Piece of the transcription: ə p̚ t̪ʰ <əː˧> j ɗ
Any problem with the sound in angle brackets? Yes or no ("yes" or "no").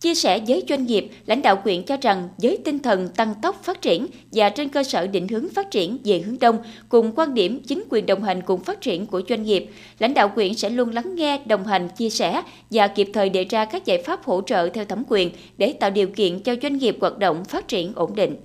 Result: yes